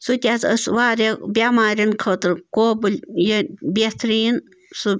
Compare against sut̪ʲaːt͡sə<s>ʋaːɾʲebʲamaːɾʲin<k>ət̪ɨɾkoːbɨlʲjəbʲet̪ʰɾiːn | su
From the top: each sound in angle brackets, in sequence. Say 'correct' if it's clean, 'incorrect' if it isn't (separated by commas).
correct, incorrect